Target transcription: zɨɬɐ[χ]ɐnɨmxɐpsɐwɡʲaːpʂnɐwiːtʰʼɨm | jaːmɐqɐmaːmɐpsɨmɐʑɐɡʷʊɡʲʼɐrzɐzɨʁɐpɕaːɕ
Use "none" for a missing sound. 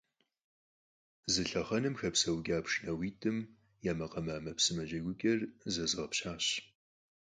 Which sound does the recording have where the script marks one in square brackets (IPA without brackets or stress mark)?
χ